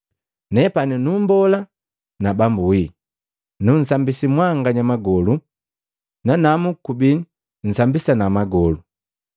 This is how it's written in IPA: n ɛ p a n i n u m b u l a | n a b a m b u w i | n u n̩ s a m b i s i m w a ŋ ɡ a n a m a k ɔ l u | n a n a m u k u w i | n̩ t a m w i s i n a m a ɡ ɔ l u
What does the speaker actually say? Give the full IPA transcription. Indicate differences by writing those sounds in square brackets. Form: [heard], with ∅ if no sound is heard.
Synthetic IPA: n ɛ p a n i n u m b [ɔ] l a | n a b a m b u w i | n u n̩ s a m b i s i m w a ŋ ɡ a [ɲ] a m a [ɡ] ɔ l u | n a n a m u k u [b] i | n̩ [s] a m [b] i s [a] n a m a ɡ ɔ l u